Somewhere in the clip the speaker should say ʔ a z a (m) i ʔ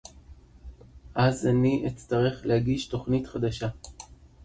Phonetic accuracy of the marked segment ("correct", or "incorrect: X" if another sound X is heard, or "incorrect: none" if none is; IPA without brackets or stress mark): incorrect: n